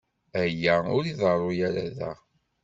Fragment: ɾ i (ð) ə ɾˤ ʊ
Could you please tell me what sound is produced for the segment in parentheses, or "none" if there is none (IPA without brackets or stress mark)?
ð